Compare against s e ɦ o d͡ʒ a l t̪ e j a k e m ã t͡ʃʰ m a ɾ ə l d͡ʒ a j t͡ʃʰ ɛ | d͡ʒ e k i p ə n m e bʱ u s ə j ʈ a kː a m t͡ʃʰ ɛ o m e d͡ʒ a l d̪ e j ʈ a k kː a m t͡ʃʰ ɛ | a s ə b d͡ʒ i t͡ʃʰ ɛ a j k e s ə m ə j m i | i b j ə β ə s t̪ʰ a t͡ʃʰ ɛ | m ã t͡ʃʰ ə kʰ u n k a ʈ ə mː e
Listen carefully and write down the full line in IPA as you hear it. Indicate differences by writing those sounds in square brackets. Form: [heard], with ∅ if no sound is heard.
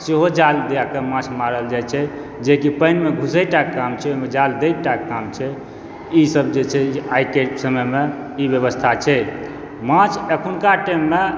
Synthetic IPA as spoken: s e ɦ o d͡ʒ a l [d̪] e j a k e m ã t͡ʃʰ m a ɾ ə l d͡ʒ a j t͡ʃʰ ɛ | d͡ʒ e k i p ə n m e [ɡʱ] u s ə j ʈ a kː a m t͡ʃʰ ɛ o m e d͡ʒ a l d̪ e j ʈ a k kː a m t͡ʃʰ ɛ | [i] s ə b d͡ʒ [e] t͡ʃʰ ɛ a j k e s ə m ə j m [e] | i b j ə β ə s t̪ʰ a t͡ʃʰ ɛ | m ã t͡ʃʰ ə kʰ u n k a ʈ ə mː e